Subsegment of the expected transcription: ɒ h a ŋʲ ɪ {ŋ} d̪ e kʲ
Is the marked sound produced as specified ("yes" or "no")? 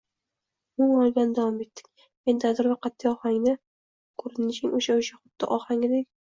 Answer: no